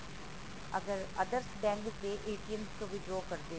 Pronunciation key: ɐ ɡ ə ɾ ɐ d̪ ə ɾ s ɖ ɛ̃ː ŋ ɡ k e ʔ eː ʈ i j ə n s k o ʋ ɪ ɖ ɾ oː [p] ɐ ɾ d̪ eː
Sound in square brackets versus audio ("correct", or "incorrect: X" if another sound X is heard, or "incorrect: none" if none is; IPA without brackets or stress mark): incorrect: k